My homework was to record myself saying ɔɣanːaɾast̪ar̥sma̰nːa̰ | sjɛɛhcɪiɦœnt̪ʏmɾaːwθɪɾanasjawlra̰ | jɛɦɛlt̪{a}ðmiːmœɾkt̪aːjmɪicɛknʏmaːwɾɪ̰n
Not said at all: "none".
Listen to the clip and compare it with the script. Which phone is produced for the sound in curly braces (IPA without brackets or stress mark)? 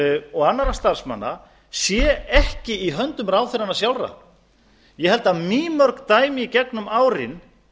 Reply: a